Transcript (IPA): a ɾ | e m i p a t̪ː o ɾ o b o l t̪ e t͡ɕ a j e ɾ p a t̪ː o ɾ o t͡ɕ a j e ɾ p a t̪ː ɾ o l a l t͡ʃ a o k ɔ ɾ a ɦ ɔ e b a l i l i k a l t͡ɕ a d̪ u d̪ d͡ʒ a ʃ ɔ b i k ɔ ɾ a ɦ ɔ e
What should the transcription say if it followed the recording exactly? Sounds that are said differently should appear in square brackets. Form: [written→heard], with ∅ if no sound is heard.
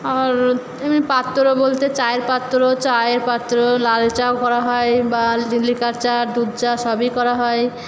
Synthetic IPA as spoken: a ɾ | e m i p a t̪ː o ɾ o b o l t̪ e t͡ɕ a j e ɾ p a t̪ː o ɾ o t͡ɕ a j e ɾ p a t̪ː ɾ o l a l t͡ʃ a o k ɔ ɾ a ɦ ɔ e b a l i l i k a [l→ɾ] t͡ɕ a d̪ u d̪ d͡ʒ a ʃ ɔ b i k ɔ ɾ a ɦ ɔ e